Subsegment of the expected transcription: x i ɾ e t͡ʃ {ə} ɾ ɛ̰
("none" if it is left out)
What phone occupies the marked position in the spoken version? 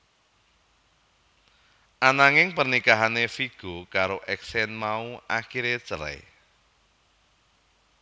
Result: ə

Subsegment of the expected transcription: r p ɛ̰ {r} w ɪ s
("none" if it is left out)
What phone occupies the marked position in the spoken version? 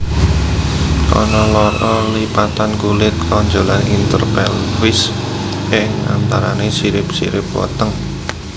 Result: l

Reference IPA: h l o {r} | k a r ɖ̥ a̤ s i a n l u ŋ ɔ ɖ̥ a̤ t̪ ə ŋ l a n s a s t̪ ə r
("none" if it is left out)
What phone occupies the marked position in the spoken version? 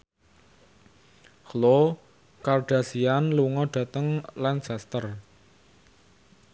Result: none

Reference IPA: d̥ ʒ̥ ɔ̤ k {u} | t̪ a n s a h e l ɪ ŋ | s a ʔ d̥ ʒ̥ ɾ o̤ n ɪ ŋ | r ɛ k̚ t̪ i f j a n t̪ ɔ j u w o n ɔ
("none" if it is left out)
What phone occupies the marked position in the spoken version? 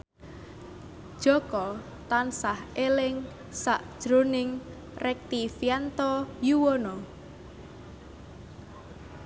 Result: ɔ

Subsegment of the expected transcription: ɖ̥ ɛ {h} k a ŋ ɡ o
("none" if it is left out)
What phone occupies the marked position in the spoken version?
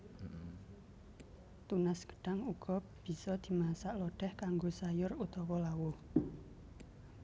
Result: h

